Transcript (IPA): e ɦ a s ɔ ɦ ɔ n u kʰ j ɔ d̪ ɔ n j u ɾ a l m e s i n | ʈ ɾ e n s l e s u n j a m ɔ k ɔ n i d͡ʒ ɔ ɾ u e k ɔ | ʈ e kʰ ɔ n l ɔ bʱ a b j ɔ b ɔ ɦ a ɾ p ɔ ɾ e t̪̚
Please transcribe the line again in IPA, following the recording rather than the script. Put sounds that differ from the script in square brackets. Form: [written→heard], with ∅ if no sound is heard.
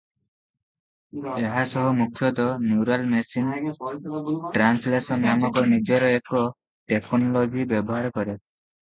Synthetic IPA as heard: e ɦ a s ɔ ɦ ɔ [n→m] u kʰ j ɔ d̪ ɔ n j u ɾ a l m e s i n | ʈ ɾ [e→a] n s l e s [u→ɔ] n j a m ɔ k ɔ n i d͡ʒ ɔ ɾ [u→ɔ] e k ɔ | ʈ e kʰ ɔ n l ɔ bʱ [a→i] b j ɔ b ɔ ɦ a ɾ [p→k] ɔ ɾ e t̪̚